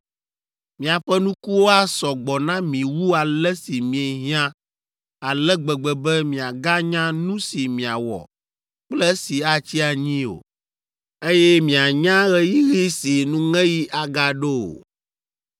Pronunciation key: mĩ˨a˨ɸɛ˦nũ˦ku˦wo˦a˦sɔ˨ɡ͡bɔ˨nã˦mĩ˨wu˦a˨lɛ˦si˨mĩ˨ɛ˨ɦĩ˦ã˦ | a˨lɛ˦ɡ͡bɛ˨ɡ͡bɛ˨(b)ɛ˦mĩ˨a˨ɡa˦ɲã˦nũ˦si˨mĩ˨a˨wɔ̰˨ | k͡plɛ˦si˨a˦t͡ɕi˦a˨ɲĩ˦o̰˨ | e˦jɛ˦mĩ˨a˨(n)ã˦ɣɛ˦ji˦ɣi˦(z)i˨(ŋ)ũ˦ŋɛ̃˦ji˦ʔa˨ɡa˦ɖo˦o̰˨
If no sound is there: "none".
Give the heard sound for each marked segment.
b, ɲ, s, n

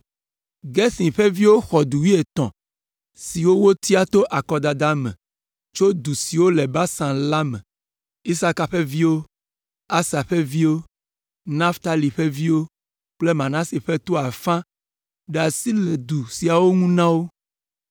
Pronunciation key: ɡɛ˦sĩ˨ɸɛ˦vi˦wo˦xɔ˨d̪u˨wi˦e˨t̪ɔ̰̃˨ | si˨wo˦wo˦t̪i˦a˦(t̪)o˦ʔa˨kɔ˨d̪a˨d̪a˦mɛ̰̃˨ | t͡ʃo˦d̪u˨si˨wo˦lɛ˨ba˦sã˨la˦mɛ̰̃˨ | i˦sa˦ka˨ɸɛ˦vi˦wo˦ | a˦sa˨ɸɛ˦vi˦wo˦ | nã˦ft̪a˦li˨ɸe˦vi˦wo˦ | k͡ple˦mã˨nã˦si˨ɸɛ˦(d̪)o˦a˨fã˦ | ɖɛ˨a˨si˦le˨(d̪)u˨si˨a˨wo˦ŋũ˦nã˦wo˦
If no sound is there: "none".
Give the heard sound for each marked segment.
t̪, t̪, d̪

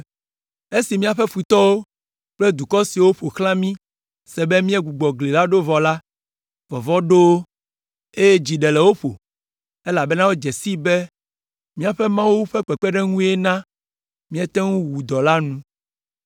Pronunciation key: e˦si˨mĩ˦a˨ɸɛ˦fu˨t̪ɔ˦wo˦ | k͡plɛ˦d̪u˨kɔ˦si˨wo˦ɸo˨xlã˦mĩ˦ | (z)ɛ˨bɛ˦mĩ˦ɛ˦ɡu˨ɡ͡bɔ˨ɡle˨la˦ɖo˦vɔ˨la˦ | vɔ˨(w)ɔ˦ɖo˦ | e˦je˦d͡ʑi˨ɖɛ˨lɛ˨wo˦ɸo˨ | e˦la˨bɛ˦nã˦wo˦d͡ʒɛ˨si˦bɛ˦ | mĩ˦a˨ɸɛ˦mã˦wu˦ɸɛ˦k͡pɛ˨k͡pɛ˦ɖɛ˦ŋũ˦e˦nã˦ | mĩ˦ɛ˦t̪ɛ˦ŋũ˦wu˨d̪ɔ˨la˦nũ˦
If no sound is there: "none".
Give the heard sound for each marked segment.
s, v

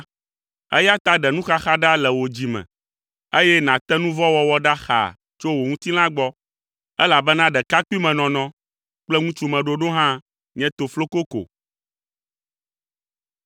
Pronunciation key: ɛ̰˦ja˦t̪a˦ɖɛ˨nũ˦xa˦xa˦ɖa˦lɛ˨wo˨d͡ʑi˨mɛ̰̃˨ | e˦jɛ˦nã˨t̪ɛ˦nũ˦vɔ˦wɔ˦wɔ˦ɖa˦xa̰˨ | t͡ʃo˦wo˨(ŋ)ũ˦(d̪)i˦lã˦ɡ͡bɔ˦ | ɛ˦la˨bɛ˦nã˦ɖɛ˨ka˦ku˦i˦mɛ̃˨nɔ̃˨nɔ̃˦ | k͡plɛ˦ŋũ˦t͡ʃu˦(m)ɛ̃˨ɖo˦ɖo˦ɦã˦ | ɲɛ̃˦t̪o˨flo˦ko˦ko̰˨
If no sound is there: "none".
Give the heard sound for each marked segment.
ŋ, t̪, m

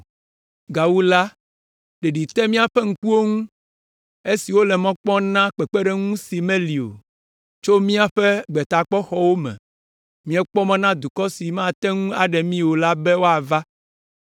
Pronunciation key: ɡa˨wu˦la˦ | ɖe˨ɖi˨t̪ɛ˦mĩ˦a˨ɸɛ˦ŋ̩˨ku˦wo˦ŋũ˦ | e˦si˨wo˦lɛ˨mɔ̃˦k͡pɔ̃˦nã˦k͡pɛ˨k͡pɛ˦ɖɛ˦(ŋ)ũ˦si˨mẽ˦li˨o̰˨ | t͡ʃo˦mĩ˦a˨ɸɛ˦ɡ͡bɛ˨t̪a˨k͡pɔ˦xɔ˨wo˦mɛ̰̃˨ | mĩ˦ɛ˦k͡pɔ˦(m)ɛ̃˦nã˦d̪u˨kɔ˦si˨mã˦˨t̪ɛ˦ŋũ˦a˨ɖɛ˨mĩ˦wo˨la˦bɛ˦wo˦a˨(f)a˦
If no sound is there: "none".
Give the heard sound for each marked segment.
ŋ, m, v

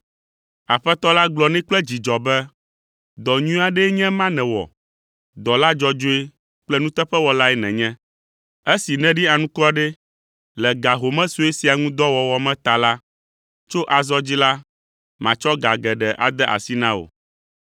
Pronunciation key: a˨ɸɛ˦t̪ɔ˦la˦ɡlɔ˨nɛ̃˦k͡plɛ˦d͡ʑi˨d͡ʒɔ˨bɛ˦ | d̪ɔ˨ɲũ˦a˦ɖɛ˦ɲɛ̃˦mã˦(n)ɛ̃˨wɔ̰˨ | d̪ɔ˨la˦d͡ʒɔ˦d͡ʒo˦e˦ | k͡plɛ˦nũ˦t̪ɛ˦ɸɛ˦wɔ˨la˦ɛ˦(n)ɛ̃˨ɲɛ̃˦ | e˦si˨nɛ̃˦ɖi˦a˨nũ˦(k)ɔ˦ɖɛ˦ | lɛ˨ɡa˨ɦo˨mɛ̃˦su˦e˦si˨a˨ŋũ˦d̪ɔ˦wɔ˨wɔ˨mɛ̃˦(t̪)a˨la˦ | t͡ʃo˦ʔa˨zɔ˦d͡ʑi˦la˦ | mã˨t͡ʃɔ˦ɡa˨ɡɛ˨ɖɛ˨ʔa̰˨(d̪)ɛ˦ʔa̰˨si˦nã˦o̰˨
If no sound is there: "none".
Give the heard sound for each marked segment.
n, n, k, t̪, d̪

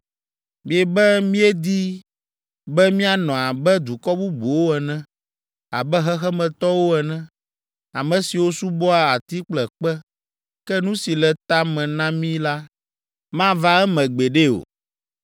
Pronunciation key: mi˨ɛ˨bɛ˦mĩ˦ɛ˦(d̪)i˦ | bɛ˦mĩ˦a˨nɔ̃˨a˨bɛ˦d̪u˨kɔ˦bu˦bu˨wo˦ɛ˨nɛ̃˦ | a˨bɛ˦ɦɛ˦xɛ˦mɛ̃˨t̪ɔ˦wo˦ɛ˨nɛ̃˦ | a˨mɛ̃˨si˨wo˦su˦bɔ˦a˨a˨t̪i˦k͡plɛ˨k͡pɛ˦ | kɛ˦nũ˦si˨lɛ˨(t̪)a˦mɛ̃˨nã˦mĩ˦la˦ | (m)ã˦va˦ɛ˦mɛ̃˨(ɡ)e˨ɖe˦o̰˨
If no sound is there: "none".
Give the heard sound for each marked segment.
d̪, t̪, m, ɡ͡b

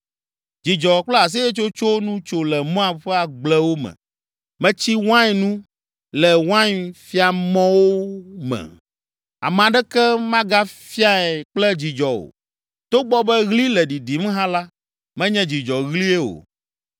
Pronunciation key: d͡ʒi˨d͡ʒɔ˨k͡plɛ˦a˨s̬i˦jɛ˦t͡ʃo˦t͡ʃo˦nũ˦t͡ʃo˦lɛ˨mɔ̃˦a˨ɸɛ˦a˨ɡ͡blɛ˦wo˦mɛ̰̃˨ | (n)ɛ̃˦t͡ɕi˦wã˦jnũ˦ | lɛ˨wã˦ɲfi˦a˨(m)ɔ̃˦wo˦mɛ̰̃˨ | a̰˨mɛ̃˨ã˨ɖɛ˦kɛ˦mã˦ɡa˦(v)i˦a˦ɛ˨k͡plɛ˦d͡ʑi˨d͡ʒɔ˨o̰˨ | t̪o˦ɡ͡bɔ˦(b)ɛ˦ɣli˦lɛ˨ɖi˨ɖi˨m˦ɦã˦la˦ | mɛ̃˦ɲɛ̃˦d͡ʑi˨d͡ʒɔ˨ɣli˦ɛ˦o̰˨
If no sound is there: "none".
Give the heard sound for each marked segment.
m, m, f, b

